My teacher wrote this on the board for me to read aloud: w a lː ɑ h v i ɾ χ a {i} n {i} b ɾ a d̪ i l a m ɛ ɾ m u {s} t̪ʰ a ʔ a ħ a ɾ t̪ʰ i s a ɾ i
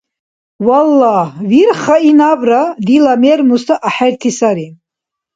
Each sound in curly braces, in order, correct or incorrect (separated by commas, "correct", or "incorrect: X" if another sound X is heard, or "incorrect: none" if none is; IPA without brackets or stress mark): correct, incorrect: a, correct